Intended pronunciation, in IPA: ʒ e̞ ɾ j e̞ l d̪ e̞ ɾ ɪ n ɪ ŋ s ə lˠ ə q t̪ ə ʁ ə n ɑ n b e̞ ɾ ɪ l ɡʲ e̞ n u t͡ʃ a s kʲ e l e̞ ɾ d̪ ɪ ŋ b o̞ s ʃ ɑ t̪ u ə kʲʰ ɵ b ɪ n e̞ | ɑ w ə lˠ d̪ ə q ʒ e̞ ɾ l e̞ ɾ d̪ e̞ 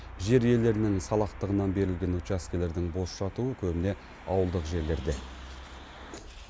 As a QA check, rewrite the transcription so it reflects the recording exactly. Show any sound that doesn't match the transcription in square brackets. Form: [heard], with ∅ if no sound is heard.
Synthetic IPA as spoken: ʒ e̞ ɾ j e̞ l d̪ e̞ ɾ ɪ n ɪ ŋ s [ɑ] lˠ [ɑ] q t̪ ə ʁ ə n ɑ n b e̞ ɾ ɪ l ɡʲ e̞ n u t͡ʃ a s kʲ e l e̞ ɾ d̪ ɪ ŋ b o̞ s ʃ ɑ t̪ u ə kʲʰ ɵ b ɪ n e̞ | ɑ w ə lˠ d̪ ə q ʒ e̞ ɾ l e̞ ɾ d̪ e̞